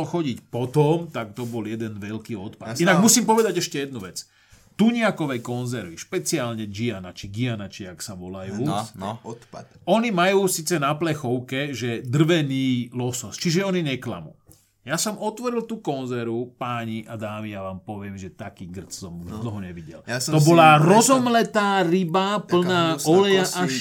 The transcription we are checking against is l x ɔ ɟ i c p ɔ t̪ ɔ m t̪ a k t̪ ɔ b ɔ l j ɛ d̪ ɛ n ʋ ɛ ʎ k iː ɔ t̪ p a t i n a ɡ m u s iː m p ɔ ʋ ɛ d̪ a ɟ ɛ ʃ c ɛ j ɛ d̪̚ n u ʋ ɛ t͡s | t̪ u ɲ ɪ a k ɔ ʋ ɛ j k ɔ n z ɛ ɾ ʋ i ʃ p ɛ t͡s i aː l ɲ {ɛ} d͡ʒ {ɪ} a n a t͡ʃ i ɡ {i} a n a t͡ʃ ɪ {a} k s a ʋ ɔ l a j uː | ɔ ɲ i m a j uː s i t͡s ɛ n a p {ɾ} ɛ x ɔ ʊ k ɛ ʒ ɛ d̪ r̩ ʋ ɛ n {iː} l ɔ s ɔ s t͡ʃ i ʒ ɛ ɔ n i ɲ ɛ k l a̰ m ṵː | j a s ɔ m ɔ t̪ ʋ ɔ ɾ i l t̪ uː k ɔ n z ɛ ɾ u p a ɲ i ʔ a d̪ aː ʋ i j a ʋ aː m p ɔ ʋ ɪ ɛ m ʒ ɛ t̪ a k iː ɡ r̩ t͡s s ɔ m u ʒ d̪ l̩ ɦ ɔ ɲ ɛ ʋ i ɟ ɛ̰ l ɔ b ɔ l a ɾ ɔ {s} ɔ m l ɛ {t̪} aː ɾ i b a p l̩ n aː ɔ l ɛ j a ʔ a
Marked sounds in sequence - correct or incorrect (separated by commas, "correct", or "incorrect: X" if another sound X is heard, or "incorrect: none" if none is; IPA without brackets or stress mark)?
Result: correct, incorrect: i, correct, correct, incorrect: l, correct, incorrect: z, correct